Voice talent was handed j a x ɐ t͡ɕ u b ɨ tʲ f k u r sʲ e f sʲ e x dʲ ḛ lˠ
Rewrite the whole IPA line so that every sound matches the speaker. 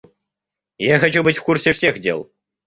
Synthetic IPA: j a x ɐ t͡ɕ u b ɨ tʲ f k u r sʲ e f sʲ e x dʲ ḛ lˠ